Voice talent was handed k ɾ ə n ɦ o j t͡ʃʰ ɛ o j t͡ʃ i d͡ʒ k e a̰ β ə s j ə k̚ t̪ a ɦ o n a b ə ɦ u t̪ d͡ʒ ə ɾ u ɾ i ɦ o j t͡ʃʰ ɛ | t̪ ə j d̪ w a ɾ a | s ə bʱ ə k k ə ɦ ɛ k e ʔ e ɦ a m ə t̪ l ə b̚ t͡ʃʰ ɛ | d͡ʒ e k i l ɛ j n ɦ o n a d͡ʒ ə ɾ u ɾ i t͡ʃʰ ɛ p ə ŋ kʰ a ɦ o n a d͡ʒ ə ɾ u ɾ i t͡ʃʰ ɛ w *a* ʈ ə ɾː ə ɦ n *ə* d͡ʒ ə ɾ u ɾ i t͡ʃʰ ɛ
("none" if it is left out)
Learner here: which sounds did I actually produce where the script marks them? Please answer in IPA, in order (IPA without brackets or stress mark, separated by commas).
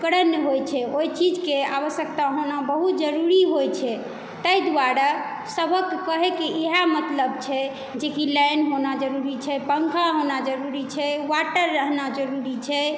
a, a